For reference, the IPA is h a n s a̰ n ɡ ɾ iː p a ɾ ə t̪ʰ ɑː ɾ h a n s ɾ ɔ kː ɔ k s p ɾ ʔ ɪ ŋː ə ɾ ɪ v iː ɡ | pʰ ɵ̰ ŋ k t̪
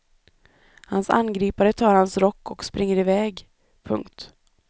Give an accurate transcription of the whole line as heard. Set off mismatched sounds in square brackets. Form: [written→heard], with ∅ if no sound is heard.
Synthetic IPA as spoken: h a n s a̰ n ɡ ɾ iː p a ɾ ə t̪ʰ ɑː ɾ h a n s ɾ ɔ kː ɔ k s p ɾ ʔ ɪ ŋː ə ɾ ɪ v [iː→ɛː] ɡ | pʰ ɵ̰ ŋ k t̪

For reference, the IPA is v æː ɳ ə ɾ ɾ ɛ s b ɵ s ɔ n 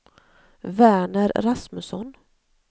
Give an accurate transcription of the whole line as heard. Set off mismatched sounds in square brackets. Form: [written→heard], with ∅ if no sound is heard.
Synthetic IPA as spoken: v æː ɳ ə ɾ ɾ [ɛ→a] s [b→m] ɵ s ɔ n

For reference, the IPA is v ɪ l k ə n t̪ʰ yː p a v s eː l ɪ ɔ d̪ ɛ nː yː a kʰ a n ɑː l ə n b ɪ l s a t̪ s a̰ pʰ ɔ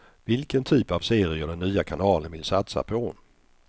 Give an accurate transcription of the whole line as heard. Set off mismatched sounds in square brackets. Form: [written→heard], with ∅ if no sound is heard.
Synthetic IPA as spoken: v ɪ l k ə n t̪ʰ yː p a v s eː [l→ɾ] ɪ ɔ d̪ ɛ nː yː a kʰ a n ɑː l ə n [b→v] ɪ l s a t̪ s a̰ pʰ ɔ

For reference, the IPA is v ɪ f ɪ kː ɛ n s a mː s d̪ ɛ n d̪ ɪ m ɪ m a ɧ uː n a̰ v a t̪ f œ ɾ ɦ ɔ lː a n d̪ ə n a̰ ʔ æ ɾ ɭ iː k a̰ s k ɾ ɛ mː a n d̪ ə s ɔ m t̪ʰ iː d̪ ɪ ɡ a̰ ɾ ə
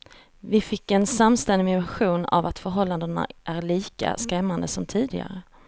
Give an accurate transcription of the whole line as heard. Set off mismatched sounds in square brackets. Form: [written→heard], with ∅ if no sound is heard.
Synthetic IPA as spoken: v ɪ f ɪ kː ɛ n s a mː s [d̪→t̪] ɛ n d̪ ɪ m ɪ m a ɧ uː n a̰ v a t̪ f œ ɾ ɦ ɔ lː a n d̪ ə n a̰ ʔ æ ɾ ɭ iː k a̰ s k ɾ ɛ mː a n d̪ ə s ɔ m t̪ʰ iː d̪ ɪ ɡ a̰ ɾ ə

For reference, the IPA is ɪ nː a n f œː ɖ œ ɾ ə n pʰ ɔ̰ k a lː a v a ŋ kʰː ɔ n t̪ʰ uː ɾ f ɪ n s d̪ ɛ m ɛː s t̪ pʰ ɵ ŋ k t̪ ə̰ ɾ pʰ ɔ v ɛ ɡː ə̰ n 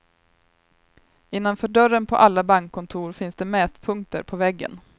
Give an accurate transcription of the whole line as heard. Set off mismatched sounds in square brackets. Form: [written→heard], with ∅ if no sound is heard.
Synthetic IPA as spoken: ɪ nː a n f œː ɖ œ ɾ ə n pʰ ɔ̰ [k→ʔ] a lː a [v→b] a ŋ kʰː ɔ n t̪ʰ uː ɾ f ɪ n s d̪ ɛ m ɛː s t̪ pʰ ɵ ŋ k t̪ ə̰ ɾ pʰ ɔ v ɛ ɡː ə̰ n

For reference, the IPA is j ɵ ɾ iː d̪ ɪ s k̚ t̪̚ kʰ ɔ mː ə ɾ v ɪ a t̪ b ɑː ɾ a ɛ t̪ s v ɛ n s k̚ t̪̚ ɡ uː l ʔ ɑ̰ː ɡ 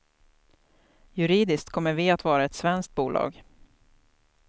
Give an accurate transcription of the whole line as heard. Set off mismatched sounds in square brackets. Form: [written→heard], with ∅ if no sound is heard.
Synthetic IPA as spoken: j ɵ ɾ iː d̪ ɪ s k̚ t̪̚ kʰ ɔ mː ə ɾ v ɪ a t̪ [b→v] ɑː ɾ a ɛ t̪ s v ɛ n s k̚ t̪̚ [ɡ→b] uː l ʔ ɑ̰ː ɡ

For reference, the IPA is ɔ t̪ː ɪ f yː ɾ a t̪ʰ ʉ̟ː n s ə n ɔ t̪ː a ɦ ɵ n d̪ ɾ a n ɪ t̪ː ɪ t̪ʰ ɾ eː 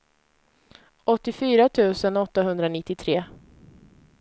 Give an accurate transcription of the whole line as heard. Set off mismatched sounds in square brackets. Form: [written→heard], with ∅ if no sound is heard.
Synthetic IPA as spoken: ɔ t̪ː ɪ f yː ɾ a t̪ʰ ʉ̟ː [n→∅] s ə n ɔ t̪ː a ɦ ɵ n d̪ ɾ a n ɪ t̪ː ɪ t̪ʰ ɾ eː

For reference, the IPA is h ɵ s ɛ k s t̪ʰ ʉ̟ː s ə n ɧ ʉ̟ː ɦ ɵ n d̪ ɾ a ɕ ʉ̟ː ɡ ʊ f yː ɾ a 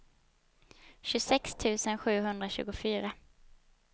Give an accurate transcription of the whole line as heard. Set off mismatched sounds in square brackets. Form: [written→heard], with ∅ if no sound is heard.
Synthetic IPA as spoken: [h→ɕ] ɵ s ɛ k s t̪ʰ ʉ̟ː s ə n ɧ ʉ̟ː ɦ ɵ n d̪ ɾ a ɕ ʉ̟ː ɡ ʊ f yː ɾ a

